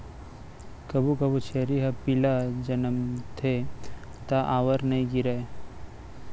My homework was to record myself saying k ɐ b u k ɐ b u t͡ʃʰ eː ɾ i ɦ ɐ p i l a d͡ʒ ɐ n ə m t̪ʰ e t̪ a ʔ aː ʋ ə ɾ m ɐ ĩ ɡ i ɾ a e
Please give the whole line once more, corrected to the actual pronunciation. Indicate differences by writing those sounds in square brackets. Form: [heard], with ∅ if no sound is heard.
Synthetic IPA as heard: k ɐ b u k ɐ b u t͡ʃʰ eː ɾ i ɦ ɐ p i l a d͡ʒ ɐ n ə m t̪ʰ e t̪ a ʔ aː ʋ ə ɾ [n] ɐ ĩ ɡ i ɾ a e